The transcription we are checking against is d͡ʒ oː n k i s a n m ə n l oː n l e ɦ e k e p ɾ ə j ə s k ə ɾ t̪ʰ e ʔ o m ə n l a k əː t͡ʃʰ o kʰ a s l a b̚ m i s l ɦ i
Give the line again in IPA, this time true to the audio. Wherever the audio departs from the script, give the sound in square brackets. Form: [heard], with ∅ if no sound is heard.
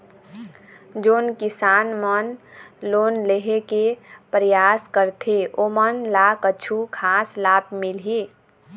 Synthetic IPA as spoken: d͡ʒ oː n k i s a n m ə n l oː n l e ɦ e k e p ɾ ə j [a] s k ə ɾ t̪ʰ e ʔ o m ə n l a k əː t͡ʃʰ [u] kʰ a s l a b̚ m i [∅] l ɦ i